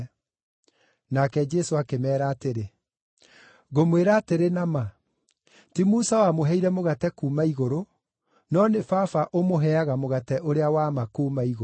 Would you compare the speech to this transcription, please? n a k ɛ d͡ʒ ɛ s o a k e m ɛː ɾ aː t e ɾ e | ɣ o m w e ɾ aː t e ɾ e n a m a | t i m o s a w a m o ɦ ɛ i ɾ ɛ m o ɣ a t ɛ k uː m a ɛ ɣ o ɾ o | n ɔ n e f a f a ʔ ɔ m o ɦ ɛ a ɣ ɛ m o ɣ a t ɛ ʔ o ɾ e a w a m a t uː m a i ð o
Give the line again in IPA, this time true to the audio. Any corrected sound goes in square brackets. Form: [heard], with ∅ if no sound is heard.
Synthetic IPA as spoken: n a k ɛ d͡ʒ ɛ s o a k e m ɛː ɾ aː t e ɾ e | ɣ o m w e ɾ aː t e ɾ e n a m a | t i m [u] s a w a m o ɦ ɛ i ɾ ɛ m o ɣ a t ɛ k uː m a [i] ɣ o ɾ o | n ɔ n e f a f a ʔ [o] m o ɦ ɛ a ɣ [a] m o ɣ a t ɛ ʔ o ɾ e a w a m a [k] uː m a i [ɣ] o